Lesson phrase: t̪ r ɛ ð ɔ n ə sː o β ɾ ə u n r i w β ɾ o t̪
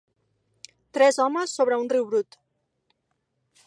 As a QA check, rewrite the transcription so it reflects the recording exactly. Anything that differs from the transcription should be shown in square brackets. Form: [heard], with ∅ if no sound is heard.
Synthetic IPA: t̪ [ɾ] ɛ [z] ɔ [m] ə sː o β ɾ ə u n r i w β ɾ [u] t̪